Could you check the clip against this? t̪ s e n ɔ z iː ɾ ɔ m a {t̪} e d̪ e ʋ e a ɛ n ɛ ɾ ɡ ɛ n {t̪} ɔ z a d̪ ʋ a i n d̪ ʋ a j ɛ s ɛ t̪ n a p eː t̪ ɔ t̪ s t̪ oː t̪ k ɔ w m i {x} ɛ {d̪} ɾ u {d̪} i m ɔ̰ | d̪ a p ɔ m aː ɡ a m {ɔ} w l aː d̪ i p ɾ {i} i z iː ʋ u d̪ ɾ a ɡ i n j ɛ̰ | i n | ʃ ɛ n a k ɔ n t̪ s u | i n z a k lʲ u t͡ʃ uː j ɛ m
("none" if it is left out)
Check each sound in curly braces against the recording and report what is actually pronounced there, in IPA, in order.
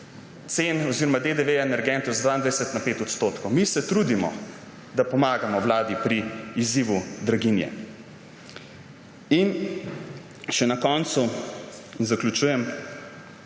d̪, t̪, s, t̪, d̪, ɔ, i

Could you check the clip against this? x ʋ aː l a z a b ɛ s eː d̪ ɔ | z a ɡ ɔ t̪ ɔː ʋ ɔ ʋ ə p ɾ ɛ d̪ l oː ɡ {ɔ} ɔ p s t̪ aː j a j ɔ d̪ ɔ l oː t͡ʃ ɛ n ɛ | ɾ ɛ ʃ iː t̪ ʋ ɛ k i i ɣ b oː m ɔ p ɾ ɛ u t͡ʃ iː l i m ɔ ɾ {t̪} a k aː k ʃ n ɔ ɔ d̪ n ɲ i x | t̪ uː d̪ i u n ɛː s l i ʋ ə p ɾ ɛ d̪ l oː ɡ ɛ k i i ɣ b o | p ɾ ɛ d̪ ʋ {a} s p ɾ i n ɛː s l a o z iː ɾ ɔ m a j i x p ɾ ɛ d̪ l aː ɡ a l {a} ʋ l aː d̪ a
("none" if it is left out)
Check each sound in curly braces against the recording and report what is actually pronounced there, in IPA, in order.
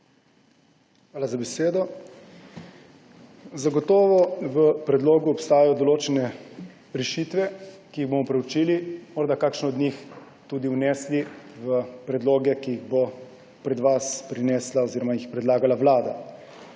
u, d̪, a, a

